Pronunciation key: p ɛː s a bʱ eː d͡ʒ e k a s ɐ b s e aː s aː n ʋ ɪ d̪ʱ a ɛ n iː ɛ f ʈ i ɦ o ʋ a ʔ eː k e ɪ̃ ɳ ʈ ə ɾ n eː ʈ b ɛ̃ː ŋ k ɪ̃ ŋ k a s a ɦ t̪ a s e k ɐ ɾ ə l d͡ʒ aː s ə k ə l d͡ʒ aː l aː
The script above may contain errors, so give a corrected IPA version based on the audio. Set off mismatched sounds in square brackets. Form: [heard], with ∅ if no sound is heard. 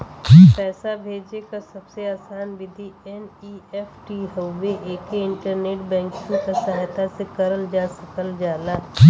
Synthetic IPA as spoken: p ɛː s a bʱ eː d͡ʒ e k a s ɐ b s e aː s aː n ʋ ɪ d̪ʱ [i] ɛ n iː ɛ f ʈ i ɦ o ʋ [e] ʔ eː k e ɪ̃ ɳ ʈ ə ɾ n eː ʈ b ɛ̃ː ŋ k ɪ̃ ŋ k a s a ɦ t̪ a s e k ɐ ɾ ə l d͡ʒ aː s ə k ə l d͡ʒ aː l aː